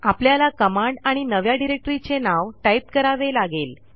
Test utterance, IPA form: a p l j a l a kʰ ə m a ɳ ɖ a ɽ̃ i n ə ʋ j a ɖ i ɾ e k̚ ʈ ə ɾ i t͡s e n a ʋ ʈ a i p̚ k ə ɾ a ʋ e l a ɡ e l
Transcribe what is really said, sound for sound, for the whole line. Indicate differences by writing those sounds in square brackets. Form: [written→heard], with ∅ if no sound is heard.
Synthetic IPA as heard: a p l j a l a [kʰ→k] ə m a ɳ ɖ a ɽ̃ i n ə ʋ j a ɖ i ɾ e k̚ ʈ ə ɾ i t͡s e n a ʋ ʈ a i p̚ k ə ɾ a ʋ e l a ɡ e l

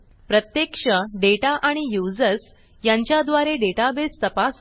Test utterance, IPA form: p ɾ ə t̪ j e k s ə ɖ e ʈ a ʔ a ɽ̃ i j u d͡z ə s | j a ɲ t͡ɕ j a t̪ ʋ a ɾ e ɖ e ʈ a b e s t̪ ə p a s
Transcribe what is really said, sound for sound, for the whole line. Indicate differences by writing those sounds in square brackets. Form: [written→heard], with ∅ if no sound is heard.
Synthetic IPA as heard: p ɾ ə t̪ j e k [s→ʂ] ə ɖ e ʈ a ʔ a ɽ̃ i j u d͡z ə s | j a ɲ t͡ɕ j a [t̪→d̪] ʋ a ɾ e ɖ e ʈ a b e s t̪ ə p a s

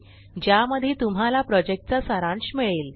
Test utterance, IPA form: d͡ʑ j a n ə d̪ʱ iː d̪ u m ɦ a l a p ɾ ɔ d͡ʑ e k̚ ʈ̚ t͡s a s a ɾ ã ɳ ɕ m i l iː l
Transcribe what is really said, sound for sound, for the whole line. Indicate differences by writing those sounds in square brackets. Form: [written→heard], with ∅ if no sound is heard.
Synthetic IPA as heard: d͡ʑ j a [n→m] ə d̪ʱ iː [d̪→t̪] u m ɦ a l a p ɾ ɔ d͡ʑ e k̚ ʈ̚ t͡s a s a ɾ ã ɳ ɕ m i [l→ɭ] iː l

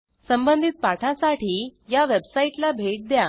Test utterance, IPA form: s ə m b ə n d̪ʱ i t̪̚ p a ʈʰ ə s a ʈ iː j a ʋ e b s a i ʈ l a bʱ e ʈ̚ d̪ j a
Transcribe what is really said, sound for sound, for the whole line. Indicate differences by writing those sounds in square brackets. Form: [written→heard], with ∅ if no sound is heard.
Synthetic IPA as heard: s ə m b ə n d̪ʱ i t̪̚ p a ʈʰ [ə→a] s a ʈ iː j a ʋ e b s a i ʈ l a bʱ e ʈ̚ d̪ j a

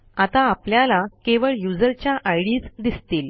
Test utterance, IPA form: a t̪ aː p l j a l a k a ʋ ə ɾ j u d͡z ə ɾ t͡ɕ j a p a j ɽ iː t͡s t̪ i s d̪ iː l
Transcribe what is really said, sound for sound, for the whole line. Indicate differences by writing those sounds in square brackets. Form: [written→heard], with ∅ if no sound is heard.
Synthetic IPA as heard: a t̪ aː p l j a l a k [a→e] ʋ ə [ɾ→ɭ] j u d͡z ə ɾ t͡ɕ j a [p→ʔ] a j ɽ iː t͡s [t̪→d̪] i s [d̪→t̪] iː l

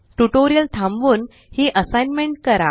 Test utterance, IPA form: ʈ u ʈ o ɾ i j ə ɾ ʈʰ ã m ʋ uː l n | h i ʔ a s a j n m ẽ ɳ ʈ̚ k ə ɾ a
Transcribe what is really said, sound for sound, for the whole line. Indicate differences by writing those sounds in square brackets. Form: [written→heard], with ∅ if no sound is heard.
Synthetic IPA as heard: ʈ u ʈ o ɾ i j ə [ɾ→l] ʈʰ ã m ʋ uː [l→∅] n | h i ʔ [a→ə] s a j n m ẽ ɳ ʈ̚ k ə ɾ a

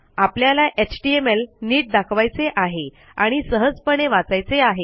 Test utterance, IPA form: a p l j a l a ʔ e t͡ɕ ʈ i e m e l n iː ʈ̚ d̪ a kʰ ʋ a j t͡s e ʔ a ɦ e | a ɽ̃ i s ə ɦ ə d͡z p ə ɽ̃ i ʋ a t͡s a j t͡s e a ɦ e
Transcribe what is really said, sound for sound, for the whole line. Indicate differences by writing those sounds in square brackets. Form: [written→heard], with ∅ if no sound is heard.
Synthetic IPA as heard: a p l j a l a ʔ e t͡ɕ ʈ i e m e l n iː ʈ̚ d̪ a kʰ ʋ a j t͡s e ʔ a ɦ e | a ɽ̃ i s ə ɦ ə d͡z p ə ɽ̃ [i→e] ʋ a t͡s a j t͡s e a ɦ e

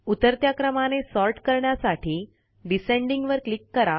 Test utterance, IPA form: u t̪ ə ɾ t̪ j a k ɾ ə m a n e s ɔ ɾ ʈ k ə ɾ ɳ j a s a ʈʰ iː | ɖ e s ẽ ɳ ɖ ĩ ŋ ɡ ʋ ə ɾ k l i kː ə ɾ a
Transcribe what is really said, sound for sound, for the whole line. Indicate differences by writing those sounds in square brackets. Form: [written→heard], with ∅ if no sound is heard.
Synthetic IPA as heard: u t̪ ə ɾ t̪ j a k ɾ ə m a n e s ɔ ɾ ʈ k ə ɾ ɳ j a s a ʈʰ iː | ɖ [e→i] s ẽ ɳ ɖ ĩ ŋ ɡ ʋ ə ɾ k l i kː ə ɾ a

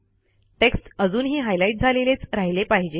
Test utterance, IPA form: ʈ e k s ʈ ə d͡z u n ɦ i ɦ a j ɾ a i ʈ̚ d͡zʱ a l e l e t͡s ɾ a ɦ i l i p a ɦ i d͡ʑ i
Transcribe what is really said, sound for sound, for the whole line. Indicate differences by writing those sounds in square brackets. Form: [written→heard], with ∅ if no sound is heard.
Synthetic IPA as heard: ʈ e k s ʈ ə d͡z [u→uː] n ɦ [i→iː] ɦ a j [ɾ→l] a i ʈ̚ d͡zʱ a l e l e t͡s ɾ a ɦ i l [i→e] p a ɦ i d͡ʑ [i→e]

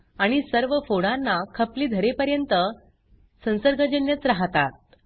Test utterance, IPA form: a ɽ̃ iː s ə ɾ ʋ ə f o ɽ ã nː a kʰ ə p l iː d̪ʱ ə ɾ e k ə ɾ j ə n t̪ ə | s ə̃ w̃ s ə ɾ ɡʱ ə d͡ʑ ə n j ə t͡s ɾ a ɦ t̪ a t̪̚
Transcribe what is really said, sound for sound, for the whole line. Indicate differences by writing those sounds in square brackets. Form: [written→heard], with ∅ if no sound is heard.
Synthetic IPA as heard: a ɽ̃ [iː→i] s ə ɾ ʋ ə f o ɽ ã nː a kʰ ə p l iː d̪ʱ ə ɾ e [k→p] ə ɾ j ə n t̪ ə | s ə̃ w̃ s ə ɾ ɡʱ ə d͡ʑ ə n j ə t͡s ɾ a ɦ t̪ a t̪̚

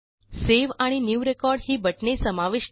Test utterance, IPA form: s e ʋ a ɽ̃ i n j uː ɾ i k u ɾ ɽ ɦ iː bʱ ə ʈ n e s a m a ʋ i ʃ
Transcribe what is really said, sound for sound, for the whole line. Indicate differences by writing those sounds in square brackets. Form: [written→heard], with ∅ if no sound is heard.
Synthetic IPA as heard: s e ʋ a ɽ̃ i n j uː ɾ [i→e] k [u→ɔ] ɾ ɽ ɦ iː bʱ ə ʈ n e s [a→ə] m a ʋ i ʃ

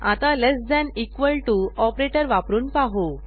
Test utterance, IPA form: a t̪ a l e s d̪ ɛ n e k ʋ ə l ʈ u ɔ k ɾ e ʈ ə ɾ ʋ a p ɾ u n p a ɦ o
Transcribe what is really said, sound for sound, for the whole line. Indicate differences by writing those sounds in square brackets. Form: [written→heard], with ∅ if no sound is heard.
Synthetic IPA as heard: a t̪ a l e s d̪ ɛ n [e→i] k ʋ ə l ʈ u ɔ [k→p] ɾ e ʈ ə ɾ ʋ a p ɾ [u→uː] n p a ɦ o

